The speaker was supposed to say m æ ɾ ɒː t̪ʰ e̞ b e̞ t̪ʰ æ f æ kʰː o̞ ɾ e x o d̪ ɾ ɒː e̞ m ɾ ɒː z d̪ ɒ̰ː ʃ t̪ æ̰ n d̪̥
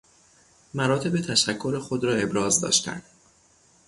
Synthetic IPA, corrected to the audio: m æ ɾ ɒː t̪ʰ e̞ b e̞ t̪ʰ æ ʃ æ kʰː o̞ ɾ e x o d̪ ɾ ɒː e̞ b ɾ ɒː z d̪ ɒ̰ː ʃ t̪ æ̰ n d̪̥